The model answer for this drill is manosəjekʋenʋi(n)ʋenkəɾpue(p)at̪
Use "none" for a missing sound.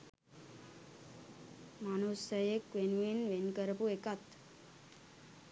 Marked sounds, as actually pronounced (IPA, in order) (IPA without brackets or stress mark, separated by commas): n, k